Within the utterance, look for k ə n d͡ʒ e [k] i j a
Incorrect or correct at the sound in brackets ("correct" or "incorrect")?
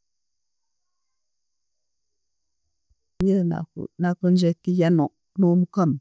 correct